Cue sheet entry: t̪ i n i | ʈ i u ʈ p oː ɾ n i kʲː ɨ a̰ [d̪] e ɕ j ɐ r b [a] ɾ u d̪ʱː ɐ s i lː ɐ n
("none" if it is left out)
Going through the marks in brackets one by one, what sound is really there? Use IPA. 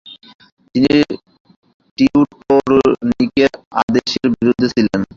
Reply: d̪, i

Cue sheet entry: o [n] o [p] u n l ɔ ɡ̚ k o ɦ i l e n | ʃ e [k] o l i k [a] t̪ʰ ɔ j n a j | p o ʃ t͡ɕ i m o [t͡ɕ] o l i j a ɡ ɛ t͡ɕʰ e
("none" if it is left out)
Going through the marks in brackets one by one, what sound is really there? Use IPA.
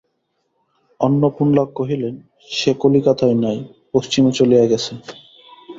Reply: nː, p, k, a, t͡ɕ

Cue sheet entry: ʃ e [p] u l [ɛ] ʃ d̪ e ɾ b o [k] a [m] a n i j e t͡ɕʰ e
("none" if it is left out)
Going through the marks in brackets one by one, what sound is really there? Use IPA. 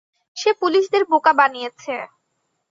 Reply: p, i, k, b

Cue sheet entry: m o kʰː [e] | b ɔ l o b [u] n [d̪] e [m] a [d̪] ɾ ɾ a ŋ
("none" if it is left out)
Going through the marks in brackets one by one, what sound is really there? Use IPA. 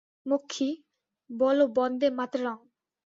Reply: i, ɔ, d̪, m, t̪

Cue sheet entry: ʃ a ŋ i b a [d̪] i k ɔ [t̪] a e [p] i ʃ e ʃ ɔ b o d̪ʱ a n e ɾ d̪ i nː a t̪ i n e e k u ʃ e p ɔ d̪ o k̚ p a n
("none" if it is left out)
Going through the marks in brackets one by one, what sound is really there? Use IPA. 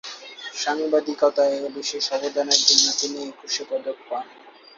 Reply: d̪, t̪, b

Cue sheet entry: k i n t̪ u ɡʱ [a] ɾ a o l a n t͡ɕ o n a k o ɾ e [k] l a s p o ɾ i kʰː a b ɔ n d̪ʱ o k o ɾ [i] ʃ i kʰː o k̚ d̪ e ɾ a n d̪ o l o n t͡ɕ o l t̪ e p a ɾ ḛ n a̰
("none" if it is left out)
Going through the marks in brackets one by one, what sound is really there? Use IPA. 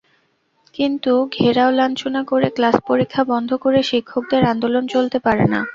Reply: e, k, e

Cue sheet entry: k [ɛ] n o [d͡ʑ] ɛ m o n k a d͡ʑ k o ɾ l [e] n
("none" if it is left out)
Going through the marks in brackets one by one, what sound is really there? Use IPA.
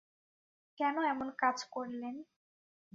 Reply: ɛ, none, e

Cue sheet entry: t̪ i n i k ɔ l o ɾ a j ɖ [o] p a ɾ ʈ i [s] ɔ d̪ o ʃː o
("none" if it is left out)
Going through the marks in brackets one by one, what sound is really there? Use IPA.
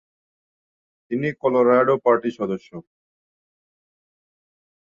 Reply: o, ʃ

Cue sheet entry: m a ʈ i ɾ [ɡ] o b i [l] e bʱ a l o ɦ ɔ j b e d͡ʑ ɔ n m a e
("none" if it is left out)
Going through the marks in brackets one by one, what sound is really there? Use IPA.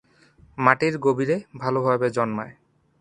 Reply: ɡ, ɾ

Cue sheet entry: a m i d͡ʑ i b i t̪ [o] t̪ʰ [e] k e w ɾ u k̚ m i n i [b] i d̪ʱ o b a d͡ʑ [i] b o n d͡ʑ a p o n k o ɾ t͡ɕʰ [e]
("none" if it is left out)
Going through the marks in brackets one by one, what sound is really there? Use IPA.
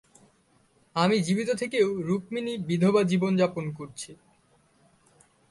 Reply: o, e, b, i, i

